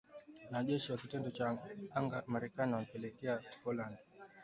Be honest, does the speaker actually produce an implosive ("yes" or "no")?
yes